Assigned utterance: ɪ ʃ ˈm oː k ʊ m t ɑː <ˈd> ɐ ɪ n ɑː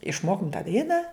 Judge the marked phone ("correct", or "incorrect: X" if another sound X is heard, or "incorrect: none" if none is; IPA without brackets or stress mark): correct